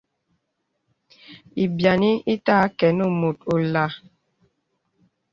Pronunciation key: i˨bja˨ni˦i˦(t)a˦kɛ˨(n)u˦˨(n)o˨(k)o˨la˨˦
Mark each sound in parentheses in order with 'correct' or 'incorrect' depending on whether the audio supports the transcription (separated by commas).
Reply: correct, correct, incorrect, incorrect